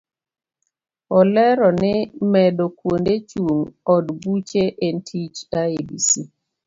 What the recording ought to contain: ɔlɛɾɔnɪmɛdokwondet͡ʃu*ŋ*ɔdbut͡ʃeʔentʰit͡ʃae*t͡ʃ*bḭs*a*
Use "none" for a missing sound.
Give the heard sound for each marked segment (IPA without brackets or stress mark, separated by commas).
ŋ, none, i